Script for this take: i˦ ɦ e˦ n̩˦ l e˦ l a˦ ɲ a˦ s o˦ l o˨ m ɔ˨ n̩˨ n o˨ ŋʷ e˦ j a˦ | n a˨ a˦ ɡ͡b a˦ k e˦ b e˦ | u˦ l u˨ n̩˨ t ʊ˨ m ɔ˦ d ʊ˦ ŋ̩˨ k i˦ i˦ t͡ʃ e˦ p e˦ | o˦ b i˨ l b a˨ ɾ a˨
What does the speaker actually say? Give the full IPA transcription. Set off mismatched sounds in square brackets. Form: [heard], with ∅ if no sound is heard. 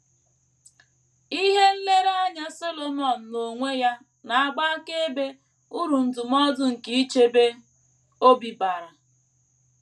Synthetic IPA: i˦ ɦ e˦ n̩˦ l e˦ [ɾ] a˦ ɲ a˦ s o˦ l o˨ m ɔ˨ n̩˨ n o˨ ŋʷ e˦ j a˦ | n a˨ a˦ ɡ͡b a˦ k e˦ b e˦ | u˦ [ɾ] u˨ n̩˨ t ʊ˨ m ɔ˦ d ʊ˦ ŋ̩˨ k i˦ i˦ t͡ʃ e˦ [b] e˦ | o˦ b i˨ [∅] b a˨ ɾ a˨